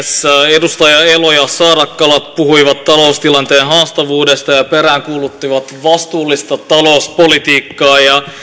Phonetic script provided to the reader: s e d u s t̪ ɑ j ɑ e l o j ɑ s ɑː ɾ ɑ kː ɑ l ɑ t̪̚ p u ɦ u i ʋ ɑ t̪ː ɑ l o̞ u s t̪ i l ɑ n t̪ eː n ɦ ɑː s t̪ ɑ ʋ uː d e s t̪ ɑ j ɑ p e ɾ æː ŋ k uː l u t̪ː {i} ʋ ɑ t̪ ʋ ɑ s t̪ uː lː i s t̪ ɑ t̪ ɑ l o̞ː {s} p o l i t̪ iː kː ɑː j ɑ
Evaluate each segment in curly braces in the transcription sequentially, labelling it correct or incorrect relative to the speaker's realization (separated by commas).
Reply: correct, correct